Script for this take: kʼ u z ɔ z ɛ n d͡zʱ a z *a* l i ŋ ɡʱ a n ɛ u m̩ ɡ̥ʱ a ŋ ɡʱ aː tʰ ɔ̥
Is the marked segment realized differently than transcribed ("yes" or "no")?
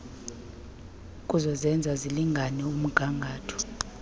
yes